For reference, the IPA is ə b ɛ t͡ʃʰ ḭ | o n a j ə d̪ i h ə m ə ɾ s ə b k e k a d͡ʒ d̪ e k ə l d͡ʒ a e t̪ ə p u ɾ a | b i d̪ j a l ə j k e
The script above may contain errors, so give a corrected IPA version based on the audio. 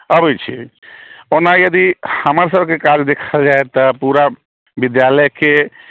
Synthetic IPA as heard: ə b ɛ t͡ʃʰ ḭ | o n a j ə d̪ i h ə m ə ɾ s ə b k e k a d͡ʒ d̪ e kʰ ə l d͡ʒ a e t̪ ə p u ɾ a | b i d̪ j a l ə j k e